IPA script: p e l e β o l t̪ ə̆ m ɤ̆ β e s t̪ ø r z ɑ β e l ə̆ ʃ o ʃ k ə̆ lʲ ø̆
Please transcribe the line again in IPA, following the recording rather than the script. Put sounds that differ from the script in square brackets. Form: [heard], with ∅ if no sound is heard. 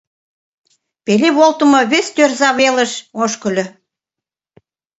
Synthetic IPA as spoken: p e l e β o l t̪ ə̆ m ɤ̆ β e s t̪ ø r z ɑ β e l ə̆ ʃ o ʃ k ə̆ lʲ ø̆